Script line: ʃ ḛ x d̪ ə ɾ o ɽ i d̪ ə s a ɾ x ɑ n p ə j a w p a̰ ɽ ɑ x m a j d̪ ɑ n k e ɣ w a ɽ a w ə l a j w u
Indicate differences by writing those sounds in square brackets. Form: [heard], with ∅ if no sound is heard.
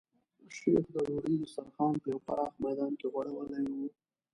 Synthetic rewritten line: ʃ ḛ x d̪ ə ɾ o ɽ i d̪ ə s a ɾ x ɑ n p ə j a w p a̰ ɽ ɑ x m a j d̪ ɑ n k e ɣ w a ɽ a w ə l a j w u